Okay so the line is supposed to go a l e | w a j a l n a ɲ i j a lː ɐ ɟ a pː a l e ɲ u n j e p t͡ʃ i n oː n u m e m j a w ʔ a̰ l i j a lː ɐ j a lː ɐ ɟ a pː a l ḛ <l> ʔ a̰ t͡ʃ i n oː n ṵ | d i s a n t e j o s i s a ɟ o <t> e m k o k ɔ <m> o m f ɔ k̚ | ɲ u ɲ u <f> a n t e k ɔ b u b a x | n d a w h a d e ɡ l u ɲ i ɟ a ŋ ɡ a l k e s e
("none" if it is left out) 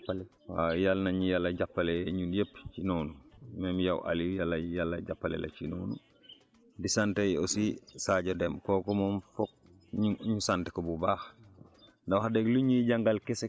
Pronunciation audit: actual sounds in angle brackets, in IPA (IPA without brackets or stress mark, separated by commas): l, d, m, s